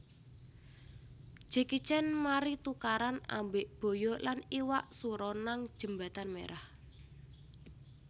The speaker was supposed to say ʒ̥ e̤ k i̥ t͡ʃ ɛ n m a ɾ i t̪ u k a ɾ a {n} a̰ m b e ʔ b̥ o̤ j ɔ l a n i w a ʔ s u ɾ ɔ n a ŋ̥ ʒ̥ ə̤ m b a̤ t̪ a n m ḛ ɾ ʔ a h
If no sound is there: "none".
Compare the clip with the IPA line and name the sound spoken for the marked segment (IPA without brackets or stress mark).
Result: n